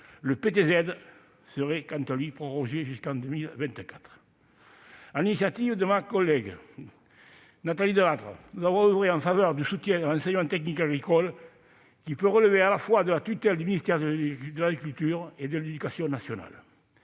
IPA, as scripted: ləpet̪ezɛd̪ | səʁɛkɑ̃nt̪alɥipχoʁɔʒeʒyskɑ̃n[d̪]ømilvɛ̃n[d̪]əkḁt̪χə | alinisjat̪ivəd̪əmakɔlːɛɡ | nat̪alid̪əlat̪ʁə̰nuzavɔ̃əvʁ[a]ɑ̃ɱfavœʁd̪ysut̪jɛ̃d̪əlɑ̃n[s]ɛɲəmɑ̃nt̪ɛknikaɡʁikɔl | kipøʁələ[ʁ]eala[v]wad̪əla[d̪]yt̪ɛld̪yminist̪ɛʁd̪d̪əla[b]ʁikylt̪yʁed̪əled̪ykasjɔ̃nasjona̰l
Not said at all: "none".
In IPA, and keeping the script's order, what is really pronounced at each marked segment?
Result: d̪, t̪, e, s, v, f, t̪, ɡ

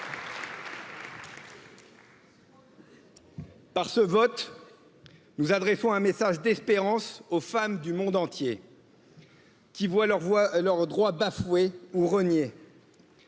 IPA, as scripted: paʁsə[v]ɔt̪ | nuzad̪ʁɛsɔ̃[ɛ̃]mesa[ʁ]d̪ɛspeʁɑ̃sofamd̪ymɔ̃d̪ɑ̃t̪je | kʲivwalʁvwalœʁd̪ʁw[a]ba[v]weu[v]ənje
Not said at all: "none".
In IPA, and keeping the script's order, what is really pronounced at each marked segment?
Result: v, ɛ̃, ʒ, a, f, ʁ

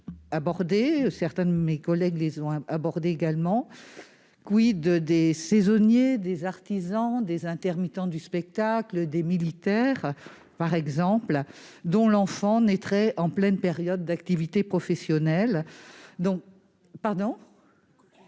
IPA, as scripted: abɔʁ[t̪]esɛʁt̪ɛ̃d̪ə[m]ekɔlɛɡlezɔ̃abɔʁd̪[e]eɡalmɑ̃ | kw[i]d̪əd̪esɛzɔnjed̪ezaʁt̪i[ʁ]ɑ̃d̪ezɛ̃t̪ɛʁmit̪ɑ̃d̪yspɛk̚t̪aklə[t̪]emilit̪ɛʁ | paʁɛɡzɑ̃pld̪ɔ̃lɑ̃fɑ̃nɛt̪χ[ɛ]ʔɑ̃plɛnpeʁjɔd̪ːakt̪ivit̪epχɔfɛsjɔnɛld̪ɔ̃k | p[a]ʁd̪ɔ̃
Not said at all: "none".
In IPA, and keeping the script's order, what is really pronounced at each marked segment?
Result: d̪, m, e, i, z, d̪, ɛ, a

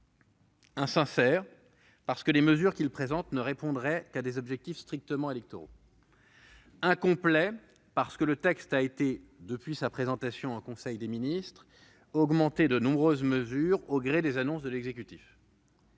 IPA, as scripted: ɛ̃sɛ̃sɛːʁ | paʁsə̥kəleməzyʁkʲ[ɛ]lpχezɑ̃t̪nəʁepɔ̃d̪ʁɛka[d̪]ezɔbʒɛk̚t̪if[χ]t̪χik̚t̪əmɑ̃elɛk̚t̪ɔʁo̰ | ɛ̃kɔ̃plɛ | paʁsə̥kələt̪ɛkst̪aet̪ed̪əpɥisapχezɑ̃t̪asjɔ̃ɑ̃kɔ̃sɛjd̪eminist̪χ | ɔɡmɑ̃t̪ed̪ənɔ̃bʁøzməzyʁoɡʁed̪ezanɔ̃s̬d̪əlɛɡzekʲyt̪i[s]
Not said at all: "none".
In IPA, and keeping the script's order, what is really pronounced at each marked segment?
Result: i, d̪, s, f

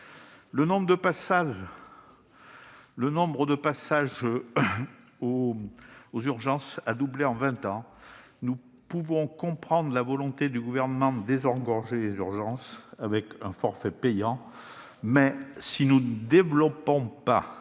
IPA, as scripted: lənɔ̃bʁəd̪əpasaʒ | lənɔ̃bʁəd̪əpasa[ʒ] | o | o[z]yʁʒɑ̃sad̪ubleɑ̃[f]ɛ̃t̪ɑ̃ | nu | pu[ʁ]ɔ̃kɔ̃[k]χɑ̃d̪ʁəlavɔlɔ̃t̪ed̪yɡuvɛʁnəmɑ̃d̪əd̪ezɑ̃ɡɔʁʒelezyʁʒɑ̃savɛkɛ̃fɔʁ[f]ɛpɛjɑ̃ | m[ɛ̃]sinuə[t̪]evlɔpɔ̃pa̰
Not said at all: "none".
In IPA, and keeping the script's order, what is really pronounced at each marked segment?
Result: ʒ, z, v, v, p, f, ɛ, d̪

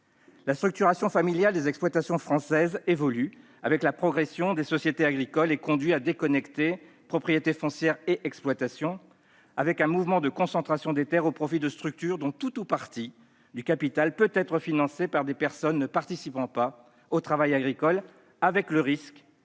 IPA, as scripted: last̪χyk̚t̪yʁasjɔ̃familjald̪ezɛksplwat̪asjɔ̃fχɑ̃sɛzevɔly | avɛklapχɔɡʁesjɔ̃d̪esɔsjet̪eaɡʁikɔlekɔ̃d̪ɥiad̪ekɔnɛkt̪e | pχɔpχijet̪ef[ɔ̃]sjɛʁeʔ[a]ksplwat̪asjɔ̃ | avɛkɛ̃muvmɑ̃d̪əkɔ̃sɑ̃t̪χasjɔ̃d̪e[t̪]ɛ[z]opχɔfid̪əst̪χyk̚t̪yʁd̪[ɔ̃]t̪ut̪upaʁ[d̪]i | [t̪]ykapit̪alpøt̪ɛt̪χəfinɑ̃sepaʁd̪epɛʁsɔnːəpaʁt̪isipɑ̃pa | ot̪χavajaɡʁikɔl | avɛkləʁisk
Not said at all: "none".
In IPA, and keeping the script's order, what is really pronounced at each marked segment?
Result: ɔ̃, ɛ, t̪, ʁ, ɔ̃, t̪, d̪

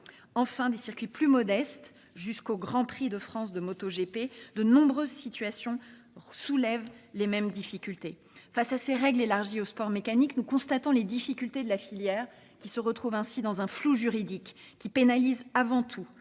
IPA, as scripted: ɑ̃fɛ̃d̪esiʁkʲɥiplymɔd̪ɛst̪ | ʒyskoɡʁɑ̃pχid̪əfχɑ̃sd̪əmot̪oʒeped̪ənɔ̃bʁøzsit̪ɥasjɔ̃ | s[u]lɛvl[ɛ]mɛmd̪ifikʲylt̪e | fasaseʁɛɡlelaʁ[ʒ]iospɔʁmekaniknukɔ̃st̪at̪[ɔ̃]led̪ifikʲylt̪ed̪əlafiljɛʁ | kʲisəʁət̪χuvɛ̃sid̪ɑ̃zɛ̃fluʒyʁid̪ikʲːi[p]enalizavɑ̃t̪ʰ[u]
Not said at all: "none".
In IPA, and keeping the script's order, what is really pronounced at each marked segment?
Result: u, e, ʒ, ɔ̃, p, u

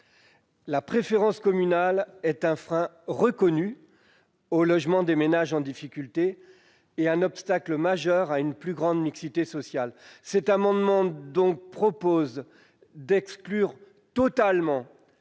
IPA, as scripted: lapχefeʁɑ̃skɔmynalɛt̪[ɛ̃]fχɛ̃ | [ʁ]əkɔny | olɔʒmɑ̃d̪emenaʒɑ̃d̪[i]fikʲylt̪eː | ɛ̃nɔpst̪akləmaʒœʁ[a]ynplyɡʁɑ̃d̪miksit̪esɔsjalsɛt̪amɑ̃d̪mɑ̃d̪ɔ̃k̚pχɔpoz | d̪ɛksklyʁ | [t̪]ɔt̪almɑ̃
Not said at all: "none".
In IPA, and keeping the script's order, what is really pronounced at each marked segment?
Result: ɛ̃, ʁ, i, a, t̪

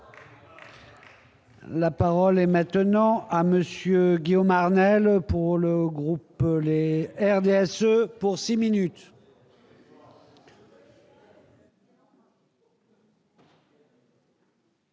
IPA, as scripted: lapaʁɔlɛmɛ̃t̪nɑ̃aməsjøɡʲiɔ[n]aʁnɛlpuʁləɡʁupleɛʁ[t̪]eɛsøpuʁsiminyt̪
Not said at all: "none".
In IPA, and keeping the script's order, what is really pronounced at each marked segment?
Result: m, d̪

